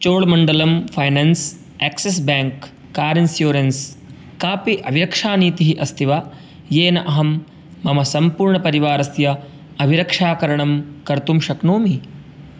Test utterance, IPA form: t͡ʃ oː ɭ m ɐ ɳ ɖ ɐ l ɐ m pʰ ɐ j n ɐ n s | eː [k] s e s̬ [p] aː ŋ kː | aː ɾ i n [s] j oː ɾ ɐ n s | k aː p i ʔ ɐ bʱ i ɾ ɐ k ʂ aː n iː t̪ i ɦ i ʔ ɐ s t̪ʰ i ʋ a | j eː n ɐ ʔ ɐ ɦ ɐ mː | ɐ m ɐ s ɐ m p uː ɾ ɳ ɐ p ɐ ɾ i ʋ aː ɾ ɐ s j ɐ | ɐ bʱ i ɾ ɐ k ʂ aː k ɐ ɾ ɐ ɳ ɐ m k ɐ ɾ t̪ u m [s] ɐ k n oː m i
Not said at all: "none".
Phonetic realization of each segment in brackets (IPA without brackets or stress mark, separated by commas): k, b, s, ʃ